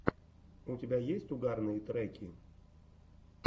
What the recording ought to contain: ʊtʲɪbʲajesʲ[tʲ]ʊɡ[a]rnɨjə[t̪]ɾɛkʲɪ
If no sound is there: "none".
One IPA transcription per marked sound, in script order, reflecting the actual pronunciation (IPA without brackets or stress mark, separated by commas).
tʲ, a, t̪